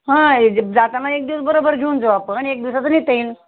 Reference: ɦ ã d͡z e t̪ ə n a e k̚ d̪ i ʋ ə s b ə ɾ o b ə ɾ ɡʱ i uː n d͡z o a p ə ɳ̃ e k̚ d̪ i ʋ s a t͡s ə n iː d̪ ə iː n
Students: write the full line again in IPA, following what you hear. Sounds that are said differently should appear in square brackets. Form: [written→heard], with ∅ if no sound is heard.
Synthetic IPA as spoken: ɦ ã d͡z [e→a] t̪ [ə→a] n a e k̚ d̪ i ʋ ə s b ə ɾ o b ə ɾ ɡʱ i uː n d͡z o a p ə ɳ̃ e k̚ d̪ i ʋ s a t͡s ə n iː [d̪→t̪] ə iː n

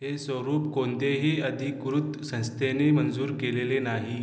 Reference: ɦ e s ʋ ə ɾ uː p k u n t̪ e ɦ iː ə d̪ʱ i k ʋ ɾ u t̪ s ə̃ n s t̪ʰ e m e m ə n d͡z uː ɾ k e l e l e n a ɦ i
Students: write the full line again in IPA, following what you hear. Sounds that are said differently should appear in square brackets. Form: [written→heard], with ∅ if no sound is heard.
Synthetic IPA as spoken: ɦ e s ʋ ə ɾ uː p k [u→o] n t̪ e ɦ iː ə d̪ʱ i k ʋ ɾ u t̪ s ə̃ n s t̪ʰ e [m→n] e m ə n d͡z uː ɾ k e l e l e n a ɦ i

